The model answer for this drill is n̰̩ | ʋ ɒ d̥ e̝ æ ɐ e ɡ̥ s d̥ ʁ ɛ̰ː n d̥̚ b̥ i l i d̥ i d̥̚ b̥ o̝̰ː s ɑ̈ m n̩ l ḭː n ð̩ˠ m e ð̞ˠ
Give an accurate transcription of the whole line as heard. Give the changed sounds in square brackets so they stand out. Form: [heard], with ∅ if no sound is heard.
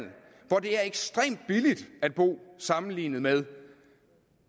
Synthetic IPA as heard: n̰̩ | ʋ ɒ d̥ e̝ æ ɐ e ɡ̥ s d̥ ʁ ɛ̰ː [m] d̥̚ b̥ i l i d̥ [æ] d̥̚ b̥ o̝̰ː s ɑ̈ m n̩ l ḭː n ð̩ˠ m e ð̞ˠ